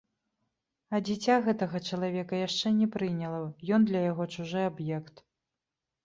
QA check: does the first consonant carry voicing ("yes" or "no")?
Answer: yes